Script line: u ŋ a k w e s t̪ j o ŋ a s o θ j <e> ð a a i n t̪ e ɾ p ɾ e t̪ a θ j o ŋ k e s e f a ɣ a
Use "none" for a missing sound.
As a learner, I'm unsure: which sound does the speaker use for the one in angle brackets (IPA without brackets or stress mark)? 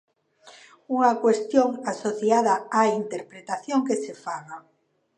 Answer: a